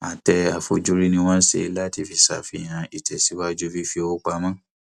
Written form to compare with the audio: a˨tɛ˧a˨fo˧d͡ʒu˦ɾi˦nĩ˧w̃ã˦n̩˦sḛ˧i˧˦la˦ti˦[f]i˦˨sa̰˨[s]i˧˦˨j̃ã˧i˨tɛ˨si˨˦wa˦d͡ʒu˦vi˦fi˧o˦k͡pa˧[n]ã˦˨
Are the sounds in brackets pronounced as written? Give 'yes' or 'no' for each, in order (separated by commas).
yes, no, no